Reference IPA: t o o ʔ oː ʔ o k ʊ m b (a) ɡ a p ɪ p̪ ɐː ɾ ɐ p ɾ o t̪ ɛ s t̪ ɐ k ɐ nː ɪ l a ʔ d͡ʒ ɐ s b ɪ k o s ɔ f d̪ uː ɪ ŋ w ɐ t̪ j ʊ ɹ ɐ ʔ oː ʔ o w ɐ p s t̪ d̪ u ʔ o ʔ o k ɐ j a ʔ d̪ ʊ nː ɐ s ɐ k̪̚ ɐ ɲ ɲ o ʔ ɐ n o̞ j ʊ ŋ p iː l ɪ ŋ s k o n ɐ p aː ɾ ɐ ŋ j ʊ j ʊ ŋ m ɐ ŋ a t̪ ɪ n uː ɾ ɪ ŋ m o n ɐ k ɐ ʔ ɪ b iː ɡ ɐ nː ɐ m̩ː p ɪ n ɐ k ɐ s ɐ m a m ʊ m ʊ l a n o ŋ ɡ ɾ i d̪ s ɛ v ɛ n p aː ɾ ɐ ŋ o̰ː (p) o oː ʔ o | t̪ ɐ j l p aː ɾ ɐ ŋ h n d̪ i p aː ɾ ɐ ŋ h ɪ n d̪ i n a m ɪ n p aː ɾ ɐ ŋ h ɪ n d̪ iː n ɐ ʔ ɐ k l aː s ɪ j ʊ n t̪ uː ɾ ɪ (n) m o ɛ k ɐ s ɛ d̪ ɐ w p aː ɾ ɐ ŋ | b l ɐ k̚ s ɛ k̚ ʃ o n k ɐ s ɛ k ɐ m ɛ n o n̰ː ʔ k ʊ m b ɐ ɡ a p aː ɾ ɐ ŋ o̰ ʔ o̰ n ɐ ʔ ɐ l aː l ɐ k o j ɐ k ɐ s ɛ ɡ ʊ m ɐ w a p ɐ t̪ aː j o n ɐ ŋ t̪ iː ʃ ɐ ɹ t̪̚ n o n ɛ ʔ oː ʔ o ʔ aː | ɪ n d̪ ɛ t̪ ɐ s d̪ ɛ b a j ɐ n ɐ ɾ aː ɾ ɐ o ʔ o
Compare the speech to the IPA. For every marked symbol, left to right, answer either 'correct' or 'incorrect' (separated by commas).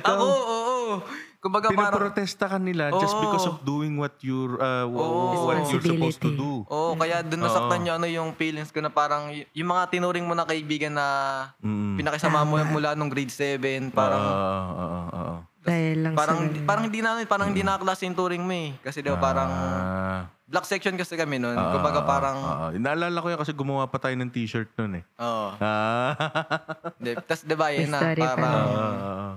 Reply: incorrect, incorrect, incorrect